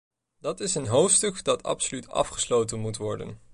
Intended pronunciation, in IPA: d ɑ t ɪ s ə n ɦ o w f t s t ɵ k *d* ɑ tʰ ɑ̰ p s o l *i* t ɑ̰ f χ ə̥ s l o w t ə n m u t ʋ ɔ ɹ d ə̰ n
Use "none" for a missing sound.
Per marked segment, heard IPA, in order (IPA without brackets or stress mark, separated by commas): d, y